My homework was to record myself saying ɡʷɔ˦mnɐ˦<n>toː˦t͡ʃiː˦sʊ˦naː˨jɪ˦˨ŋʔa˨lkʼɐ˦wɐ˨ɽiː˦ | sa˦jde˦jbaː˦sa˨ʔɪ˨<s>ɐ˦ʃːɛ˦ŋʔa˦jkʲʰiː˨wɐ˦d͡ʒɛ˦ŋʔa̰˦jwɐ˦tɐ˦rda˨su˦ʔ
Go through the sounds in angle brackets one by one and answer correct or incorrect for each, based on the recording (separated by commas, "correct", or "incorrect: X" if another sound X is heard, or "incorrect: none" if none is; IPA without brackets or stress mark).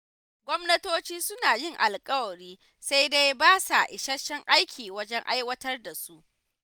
incorrect: none, incorrect: ʃ